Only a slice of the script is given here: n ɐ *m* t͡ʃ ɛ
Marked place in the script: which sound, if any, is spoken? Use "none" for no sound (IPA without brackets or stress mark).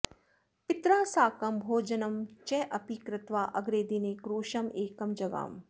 m